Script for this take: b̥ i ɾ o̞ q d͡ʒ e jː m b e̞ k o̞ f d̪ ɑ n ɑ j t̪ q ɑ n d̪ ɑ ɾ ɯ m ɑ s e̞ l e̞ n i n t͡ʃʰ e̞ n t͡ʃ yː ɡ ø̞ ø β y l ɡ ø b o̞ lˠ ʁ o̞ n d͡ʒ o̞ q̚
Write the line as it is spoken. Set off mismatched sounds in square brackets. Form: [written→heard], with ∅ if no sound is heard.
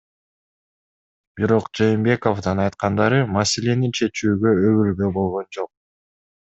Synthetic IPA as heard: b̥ i ɾ o̞ q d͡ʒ e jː m b e̞ k o̞ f d̪ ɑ n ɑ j t̪ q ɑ n d̪ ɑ ɾ ɯ m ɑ s e̞ l e̞ n i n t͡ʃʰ e̞ [n→∅] t͡ʃ yː ɡ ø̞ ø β y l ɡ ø b o̞ lˠ ʁ o̞ n d͡ʒ o̞ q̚